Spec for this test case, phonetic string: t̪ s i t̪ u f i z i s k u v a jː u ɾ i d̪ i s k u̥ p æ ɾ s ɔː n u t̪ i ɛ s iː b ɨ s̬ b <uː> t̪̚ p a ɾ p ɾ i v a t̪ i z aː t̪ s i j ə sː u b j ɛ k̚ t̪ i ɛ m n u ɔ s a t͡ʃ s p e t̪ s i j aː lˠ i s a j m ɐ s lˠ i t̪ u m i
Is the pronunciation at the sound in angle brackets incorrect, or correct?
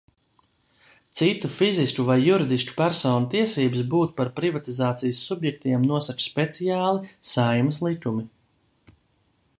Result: correct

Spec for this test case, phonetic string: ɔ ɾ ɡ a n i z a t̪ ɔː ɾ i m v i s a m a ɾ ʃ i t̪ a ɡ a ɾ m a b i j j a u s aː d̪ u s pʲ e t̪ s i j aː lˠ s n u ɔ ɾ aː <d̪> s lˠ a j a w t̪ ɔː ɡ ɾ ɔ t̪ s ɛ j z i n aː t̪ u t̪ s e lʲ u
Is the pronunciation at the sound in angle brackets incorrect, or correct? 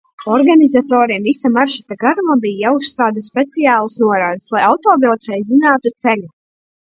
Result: correct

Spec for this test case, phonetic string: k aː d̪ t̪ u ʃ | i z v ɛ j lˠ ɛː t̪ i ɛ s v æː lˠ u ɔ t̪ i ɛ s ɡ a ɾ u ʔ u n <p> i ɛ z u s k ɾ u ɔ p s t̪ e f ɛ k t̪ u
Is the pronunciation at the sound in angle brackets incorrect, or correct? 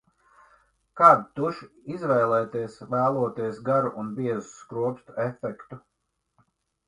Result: incorrect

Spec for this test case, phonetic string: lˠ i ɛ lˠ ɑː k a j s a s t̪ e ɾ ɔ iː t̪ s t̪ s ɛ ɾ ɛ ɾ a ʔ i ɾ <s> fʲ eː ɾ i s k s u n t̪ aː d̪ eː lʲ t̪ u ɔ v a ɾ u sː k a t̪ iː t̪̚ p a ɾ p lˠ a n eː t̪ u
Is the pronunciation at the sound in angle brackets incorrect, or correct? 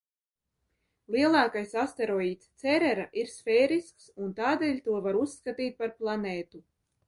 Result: correct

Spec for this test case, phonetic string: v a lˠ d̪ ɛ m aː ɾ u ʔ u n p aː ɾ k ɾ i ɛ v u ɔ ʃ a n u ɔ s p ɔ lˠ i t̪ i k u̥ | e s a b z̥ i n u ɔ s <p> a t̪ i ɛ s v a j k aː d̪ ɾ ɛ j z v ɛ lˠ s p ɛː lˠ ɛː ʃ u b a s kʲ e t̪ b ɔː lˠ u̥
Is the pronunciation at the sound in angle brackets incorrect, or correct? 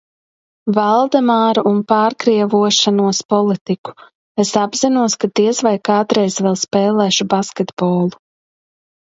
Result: incorrect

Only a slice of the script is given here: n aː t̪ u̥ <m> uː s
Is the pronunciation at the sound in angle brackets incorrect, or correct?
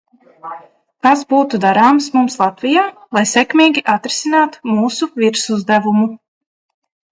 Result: correct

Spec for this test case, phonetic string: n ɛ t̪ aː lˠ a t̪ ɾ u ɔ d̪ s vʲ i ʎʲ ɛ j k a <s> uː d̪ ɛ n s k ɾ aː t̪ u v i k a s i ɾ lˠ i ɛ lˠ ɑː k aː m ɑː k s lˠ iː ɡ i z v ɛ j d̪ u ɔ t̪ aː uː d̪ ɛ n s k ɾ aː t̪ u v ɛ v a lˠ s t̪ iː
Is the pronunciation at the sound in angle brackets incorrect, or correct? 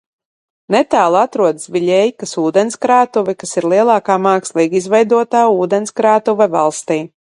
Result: correct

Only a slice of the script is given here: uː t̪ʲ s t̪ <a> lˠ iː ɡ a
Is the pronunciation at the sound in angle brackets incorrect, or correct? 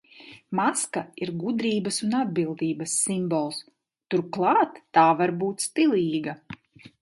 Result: incorrect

